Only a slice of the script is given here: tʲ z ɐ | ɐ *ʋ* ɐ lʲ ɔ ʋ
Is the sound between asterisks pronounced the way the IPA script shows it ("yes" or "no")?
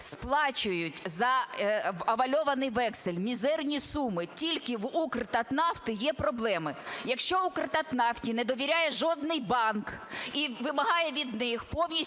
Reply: yes